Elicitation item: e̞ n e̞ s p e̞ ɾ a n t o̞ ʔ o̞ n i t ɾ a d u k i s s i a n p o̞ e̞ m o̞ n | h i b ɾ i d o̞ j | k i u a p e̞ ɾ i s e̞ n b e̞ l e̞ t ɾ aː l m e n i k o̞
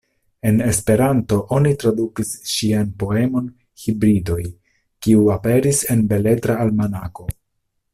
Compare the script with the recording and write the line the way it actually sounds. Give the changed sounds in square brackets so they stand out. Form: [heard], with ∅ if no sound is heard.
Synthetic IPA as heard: e̞ n e̞ s p e̞ ɾ a n t o̞ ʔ o̞ n i t ɾ a d u k i s [ʃ] i a n p o̞ e̞ m o̞ n | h i b ɾ i d o̞ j | k i u a p e̞ ɾ i s e̞ n b e̞ l e̞ t ɾ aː l m [a] n [a] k o̞